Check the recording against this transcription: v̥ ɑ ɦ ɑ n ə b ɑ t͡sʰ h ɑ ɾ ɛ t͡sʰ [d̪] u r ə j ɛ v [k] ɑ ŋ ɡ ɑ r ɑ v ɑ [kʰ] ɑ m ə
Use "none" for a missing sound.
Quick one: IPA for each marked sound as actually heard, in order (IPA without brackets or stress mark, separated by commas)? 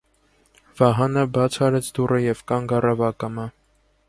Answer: d̪, k, k